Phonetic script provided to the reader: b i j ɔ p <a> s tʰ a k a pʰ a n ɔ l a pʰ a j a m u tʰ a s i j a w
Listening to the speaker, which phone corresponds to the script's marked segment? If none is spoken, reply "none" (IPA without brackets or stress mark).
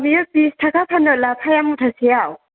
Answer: i